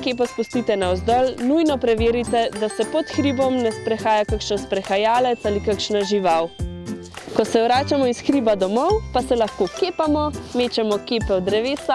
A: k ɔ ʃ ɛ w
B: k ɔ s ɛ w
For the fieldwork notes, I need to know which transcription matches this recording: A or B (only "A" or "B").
B